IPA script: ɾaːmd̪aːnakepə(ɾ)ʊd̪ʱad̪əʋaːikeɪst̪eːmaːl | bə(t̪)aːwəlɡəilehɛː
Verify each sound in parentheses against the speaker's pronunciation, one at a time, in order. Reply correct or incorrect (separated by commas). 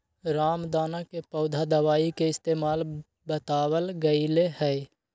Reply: incorrect, correct